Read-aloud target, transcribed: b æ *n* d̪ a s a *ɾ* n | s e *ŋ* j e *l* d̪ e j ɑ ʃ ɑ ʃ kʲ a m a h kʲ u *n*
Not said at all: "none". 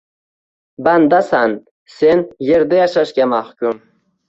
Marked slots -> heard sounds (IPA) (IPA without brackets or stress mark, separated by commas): n, none, n, ɾ, m